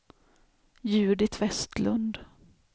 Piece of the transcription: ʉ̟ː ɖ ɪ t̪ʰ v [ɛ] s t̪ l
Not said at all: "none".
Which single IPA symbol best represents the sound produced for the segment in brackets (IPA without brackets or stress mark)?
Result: ɛ